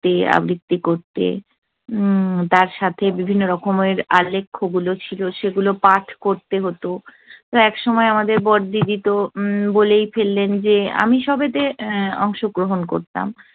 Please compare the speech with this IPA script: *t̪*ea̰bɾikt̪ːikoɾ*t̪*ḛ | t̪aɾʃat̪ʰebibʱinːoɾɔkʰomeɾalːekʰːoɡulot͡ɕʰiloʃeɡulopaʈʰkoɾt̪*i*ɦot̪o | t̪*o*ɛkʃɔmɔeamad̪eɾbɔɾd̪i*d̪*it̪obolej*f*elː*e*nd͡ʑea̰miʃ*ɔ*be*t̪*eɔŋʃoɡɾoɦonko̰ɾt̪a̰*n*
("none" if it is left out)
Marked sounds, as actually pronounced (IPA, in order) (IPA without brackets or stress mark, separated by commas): t̪, t̪, e, o, d̪, f, e, ɔ, t̪, m